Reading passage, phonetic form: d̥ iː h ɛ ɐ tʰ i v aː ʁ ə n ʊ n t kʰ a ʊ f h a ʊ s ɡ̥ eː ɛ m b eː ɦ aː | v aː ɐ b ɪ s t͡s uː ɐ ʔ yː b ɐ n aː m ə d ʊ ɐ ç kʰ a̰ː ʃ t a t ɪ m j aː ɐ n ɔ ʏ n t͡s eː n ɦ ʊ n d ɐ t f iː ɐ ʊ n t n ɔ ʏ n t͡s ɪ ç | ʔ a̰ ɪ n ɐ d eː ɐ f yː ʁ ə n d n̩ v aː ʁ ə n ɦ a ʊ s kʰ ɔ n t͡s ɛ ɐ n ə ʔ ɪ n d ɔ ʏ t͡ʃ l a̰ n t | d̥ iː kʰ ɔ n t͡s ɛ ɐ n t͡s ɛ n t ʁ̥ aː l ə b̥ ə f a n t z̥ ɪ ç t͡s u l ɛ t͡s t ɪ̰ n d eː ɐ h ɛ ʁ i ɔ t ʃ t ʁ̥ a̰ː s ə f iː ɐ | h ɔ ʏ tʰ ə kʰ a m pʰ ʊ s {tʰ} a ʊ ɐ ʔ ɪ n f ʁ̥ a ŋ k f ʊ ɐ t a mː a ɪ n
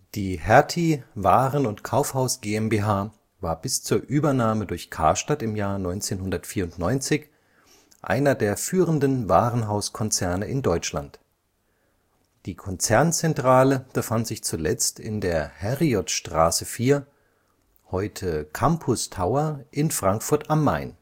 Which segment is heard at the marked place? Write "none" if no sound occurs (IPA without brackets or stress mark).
tʰ